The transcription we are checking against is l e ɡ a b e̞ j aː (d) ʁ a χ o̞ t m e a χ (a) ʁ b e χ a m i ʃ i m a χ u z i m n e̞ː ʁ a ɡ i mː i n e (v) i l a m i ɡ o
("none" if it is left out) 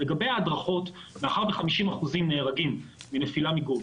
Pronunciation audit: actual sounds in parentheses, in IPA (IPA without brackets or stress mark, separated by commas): d, a, f